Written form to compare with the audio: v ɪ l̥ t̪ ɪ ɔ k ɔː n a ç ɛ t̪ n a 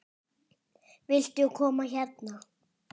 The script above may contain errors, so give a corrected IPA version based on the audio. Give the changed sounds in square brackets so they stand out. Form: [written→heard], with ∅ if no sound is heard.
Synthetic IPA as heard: v ɪ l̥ t̪ ɪ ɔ [k→kʰ] ɔː [n→m] a ç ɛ t̪ n a